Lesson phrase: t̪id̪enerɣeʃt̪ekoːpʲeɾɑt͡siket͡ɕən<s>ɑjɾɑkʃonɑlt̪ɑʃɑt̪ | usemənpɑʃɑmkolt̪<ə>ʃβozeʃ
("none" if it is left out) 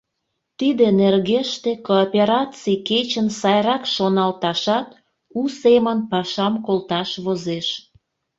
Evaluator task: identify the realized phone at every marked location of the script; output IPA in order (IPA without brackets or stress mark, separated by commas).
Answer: s, ɑ